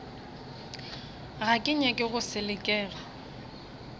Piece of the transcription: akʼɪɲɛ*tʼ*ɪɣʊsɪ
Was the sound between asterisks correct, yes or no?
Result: no